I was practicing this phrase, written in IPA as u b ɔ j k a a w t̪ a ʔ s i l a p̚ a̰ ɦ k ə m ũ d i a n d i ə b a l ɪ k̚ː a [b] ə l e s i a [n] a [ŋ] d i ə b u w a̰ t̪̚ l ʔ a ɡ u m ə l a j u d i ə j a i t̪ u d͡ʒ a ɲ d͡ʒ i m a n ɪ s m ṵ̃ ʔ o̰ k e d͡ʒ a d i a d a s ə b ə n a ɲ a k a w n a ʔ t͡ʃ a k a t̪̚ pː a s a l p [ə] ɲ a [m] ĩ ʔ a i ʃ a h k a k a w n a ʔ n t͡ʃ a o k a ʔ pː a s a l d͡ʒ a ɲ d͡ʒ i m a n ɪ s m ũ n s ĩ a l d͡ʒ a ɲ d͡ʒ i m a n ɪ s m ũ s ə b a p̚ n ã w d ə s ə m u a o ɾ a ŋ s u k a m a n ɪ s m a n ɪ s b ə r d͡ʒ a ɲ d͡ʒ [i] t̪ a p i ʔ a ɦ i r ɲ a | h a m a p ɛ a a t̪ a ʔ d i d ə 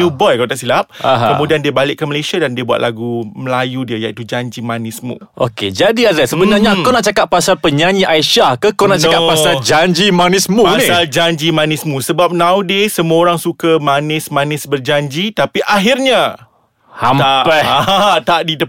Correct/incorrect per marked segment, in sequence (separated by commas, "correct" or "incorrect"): incorrect, incorrect, incorrect, correct, incorrect, correct